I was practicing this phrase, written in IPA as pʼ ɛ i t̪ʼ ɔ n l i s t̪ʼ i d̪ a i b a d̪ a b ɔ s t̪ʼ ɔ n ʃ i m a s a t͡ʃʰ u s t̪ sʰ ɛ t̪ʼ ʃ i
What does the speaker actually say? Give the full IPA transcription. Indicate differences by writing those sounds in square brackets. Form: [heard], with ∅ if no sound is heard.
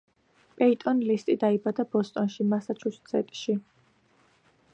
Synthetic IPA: pʼ ɛ i t̪ʼ ɔ n l i s t̪ʼ i d̪ a i b a d̪ a b ɔ s t̪ʼ ɔ n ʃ i m a s a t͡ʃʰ u s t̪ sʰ ɛ t̪ʼ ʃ i